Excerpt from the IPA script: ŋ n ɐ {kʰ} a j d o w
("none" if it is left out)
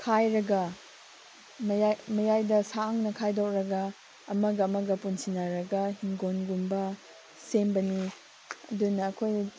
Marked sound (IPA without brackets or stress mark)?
kʰ